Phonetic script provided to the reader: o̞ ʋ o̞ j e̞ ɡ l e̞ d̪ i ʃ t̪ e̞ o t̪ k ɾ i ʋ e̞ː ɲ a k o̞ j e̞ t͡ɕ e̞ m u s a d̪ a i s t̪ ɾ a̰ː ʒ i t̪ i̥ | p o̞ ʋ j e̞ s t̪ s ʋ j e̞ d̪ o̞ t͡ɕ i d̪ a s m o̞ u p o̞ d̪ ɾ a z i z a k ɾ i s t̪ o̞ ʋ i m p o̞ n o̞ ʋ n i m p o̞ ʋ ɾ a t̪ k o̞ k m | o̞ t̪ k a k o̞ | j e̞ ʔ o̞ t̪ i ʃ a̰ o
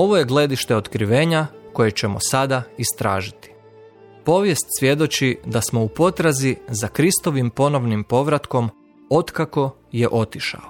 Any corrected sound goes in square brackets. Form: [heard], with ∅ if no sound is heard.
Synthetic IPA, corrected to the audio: o̞ ʋ o̞ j e̞ ɡ l e̞ d̪ i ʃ t̪ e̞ o t̪ k ɾ i ʋ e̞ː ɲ a k o̞ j e̞ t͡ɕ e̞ m [o] s a d̪ a i s t̪ ɾ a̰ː ʒ i t̪ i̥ | p o̞ ʋ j e̞ s t̪ s ʋ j e̞ d̪ o̞ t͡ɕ i d̪ a s m o̞ u p o̞ [t̪] ɾ a z i z a k ɾ i s t̪ o̞ ʋ i m p o̞ n o̞ ʋ n i m p o̞ ʋ ɾ a t̪ k o̞ [∅] m | o̞ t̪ k a k o̞ | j e̞ ʔ o̞ t̪ i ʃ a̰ o